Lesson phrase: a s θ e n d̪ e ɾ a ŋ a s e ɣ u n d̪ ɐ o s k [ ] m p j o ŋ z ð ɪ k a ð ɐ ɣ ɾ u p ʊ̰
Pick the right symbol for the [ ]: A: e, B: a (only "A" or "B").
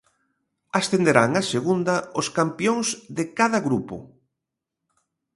B